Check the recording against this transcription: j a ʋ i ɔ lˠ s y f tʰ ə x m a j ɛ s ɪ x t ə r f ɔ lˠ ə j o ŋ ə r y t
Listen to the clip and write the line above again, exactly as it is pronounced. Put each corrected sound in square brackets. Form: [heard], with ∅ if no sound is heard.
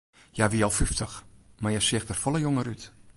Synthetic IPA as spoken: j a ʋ i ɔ lˠ [f] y f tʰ ə x m a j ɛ s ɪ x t ə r f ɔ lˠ ə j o ŋ ə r y t